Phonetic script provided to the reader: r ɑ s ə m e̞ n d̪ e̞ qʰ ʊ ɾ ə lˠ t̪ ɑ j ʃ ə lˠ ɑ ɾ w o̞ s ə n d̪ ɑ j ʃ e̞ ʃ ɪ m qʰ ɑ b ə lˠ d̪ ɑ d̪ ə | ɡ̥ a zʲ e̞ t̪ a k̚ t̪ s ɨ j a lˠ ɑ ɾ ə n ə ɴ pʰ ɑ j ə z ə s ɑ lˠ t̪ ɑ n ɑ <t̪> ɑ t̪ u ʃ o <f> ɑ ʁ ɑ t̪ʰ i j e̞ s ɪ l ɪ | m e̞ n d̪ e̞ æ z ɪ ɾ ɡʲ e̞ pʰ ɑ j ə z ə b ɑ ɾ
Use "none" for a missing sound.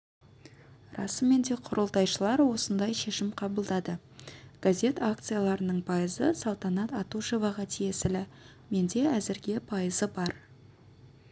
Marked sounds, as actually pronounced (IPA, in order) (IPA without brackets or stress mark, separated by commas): t̪, v